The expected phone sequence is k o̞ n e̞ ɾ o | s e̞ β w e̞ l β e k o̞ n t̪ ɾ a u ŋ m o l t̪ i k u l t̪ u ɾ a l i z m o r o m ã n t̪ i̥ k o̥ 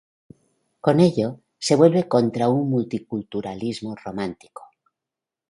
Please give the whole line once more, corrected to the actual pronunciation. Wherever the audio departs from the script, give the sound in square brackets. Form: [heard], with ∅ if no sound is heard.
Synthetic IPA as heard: k o̞ n e̞ [ʎ] o | s e̞ β w e̞ l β e k o̞ n t̪ ɾ a u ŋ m [u] l t̪ i k u l t̪ u ɾ a l i z m o r o m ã n t̪ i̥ k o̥